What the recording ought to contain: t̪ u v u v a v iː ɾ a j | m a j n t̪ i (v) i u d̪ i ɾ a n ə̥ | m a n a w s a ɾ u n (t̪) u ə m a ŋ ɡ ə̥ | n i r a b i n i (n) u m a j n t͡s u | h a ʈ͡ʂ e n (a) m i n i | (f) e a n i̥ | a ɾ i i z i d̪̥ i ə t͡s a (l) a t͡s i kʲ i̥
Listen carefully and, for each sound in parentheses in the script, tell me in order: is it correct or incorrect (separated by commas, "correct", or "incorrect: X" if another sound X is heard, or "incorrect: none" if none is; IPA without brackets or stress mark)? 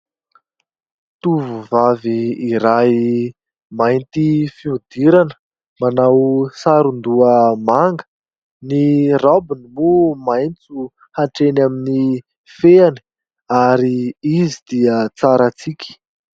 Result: incorrect: f, incorrect: d̪, incorrect: m, correct, correct, incorrect: ɾ